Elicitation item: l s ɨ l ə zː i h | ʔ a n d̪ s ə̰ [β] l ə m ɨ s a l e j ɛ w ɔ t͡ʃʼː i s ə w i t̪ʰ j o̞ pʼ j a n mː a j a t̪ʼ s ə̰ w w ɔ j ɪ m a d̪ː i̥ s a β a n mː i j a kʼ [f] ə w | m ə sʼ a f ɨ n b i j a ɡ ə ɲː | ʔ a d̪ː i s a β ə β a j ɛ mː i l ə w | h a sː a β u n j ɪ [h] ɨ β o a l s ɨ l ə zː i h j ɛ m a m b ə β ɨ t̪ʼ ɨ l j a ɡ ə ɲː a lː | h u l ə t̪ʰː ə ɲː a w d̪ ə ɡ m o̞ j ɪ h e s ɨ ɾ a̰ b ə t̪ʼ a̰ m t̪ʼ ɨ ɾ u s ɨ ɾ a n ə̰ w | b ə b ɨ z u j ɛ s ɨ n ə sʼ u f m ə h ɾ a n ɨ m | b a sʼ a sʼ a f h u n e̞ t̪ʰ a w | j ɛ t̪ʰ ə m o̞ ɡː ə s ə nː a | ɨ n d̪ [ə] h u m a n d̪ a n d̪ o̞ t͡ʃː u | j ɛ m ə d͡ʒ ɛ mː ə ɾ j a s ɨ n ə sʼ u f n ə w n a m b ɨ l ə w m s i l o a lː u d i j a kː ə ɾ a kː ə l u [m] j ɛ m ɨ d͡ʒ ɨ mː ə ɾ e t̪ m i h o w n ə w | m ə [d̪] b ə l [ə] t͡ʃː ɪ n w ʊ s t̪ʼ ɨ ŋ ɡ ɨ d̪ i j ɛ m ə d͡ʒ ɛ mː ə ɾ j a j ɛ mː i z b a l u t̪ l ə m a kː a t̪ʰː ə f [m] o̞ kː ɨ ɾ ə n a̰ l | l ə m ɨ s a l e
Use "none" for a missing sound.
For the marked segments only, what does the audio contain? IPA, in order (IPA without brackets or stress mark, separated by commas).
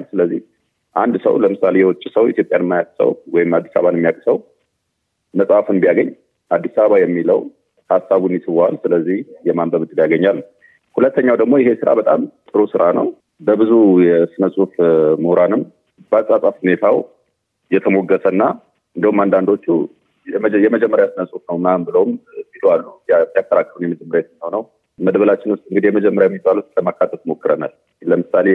w, s, s, ə, n, d̪, a, m